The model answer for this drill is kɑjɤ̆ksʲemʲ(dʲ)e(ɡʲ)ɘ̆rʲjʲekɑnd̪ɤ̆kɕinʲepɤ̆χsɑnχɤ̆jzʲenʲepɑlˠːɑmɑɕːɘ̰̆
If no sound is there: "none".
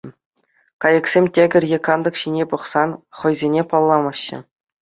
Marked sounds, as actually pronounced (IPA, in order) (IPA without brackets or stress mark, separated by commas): tʲ, ɡʲ